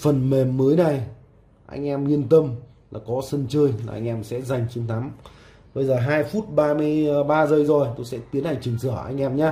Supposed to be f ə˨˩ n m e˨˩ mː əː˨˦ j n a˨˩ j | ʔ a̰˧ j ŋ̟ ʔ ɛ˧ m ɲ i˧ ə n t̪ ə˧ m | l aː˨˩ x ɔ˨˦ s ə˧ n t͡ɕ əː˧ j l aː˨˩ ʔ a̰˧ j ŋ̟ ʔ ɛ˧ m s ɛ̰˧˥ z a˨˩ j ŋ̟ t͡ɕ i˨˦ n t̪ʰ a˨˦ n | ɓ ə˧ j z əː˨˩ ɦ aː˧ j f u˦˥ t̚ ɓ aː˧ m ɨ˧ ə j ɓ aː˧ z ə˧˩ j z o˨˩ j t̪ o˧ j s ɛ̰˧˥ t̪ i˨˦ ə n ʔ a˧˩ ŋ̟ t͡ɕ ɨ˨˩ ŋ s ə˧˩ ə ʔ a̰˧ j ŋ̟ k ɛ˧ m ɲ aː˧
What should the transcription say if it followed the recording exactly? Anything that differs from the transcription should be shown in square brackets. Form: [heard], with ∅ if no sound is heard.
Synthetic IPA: f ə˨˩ n m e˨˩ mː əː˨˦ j n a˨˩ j | ʔ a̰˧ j ŋ̟ ʔ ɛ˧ m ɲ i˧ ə n t̪ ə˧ m | l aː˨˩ [k] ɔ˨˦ s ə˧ n t͡ɕ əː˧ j l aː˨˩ ʔ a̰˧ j ŋ̟ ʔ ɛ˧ m s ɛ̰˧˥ z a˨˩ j ŋ̟ t͡ɕ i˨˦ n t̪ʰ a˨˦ [m] | ɓ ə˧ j z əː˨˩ ɦ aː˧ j f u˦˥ t̚ ɓ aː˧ m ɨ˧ ə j ɓ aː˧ z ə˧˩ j z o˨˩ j t̪ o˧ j s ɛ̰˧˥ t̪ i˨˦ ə n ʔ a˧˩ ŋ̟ t͡ɕ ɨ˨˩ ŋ s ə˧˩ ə ʔ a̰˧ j ŋ̟ [ʔ] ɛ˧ m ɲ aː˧

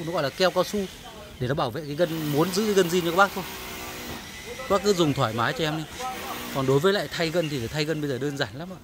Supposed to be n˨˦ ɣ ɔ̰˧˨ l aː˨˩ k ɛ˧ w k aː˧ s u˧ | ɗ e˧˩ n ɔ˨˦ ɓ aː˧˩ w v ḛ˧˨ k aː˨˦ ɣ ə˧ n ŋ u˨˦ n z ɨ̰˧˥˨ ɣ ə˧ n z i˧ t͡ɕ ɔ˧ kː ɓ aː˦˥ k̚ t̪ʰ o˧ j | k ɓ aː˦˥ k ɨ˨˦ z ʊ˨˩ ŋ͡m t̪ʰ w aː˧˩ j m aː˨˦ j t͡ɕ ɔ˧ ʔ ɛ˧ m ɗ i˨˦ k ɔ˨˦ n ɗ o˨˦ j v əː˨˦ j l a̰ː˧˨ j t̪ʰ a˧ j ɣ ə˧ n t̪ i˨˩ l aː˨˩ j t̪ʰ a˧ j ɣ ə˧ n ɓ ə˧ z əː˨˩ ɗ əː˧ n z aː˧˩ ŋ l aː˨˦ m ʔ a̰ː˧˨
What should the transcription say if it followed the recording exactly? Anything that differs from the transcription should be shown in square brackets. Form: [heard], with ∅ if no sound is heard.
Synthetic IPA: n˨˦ ɣ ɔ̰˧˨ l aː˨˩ k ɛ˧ w k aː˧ s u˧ | ɗ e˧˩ n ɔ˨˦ ɓ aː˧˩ w v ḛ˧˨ k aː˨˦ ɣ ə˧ n [m] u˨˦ n z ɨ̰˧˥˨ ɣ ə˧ n z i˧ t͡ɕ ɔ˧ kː ɓ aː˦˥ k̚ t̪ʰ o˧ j | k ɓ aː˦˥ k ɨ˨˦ z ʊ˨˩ ŋ͡m t̪ʰ w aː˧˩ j m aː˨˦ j t͡ɕ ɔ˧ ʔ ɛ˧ m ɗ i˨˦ k [ɔ˨˩] n ɗ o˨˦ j v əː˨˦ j l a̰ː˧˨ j t̪ʰ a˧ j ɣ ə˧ n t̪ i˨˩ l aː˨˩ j t̪ʰ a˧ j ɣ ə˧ n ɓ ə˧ z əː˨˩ ɗ əː˧ n z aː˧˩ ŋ l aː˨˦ m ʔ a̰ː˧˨

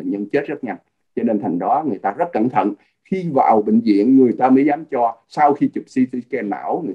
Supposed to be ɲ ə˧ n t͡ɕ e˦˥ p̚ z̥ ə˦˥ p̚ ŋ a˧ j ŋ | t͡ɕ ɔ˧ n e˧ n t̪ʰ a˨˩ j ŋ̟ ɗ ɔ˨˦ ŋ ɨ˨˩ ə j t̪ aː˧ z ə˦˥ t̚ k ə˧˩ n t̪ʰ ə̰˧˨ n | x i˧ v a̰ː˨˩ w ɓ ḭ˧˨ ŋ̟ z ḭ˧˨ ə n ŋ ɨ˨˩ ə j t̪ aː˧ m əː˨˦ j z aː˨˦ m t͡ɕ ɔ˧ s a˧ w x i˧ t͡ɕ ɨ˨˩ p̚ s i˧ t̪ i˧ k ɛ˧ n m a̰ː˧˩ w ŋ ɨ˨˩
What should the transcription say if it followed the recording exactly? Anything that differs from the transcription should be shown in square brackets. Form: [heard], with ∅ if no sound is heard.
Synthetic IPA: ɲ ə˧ n t͡ɕ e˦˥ [t̚] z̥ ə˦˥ [t̚] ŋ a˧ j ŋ | t͡ɕ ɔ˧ n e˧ n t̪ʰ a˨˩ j ŋ̟ ɗ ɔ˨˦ ŋ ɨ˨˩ ə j t̪ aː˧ z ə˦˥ t̚ k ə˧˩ n t̪ʰ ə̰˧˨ n | x i˧ v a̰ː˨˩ w ɓ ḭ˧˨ ŋ̟ z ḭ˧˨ ə n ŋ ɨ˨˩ ə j t̪ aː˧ m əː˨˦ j z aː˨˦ m t͡ɕ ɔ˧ s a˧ w x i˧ t͡ɕ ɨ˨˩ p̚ s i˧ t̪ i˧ k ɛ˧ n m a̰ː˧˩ w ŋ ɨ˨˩

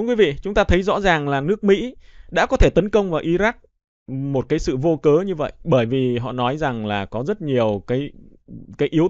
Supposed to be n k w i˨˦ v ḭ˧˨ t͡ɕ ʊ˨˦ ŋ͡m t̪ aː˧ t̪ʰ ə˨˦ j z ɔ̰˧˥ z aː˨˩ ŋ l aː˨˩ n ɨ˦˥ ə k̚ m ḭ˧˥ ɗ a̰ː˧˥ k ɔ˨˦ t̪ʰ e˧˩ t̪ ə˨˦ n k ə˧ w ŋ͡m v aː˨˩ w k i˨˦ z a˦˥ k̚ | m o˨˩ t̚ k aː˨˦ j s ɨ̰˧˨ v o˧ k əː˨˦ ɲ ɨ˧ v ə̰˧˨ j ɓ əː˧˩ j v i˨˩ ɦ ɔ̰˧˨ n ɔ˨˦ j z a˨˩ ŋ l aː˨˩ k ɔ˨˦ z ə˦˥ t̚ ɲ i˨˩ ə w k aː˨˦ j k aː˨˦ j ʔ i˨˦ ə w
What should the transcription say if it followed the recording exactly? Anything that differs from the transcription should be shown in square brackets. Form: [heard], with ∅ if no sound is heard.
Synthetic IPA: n k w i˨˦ v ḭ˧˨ t͡ɕ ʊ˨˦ ŋ͡m t̪ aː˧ t̪ʰ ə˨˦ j z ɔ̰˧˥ z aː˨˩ ŋ l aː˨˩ n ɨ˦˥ ə k̚ m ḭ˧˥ ɗ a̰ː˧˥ k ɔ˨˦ t̪ʰ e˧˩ t̪ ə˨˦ n k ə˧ w ŋ͡m v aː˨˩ w [ʔ] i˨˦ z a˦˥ k̚ | m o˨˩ t̚ k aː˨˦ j s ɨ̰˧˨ v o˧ k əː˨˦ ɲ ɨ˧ v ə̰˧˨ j ɓ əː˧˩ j v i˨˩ ɦ ɔ̰˧˨ n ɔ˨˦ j z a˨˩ ŋ l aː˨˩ k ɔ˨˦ z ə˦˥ t̚ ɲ i˨˩ ə w k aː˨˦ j k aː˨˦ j ʔ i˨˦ ə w

